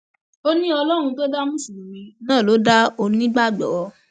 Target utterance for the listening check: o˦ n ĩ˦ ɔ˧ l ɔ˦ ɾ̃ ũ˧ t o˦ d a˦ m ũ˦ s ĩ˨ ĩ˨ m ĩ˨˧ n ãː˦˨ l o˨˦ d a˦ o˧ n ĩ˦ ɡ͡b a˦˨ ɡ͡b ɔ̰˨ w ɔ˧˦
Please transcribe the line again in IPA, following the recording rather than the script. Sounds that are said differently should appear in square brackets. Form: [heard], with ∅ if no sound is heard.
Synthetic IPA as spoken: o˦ n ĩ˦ ɔ˧ l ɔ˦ ɾ̃ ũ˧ t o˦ d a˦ m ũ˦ s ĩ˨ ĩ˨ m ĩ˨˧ n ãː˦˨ l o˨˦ d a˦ o˧ n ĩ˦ ɡ͡b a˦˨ ɡ͡b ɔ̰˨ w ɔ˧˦